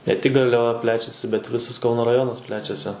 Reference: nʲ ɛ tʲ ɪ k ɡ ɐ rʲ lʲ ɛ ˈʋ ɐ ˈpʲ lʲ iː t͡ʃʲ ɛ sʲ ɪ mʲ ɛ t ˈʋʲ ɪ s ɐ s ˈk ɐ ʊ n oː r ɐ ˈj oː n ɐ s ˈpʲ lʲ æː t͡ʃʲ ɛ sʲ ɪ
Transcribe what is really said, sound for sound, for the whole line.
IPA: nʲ ɛ tʲ ɪ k ɡ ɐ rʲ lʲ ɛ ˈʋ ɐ ˈpʲ lʲ æː t͡ʃʲ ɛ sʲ ɪ bʲ ɛ t ˈʋʲ ɪ s ɐ s ˈk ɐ ʊ n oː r ɐ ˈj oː n ɐ s ˈpʲ lʲ æː t͡ʃʲ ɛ sʲ ɪ